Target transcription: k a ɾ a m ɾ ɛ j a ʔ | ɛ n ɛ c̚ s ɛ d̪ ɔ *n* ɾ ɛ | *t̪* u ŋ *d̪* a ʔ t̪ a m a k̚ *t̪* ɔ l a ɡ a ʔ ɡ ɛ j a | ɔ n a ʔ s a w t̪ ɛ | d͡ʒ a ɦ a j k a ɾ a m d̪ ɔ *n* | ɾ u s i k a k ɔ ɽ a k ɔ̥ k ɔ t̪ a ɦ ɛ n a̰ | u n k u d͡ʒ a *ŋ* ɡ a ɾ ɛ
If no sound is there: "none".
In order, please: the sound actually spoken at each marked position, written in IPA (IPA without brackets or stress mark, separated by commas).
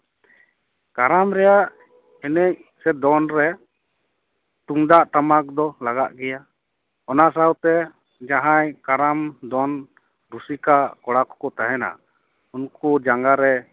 n, t̪, d̪, d̪, n, ŋ